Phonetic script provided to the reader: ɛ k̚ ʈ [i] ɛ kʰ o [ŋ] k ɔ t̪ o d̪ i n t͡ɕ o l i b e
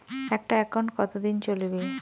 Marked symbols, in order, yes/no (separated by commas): no, no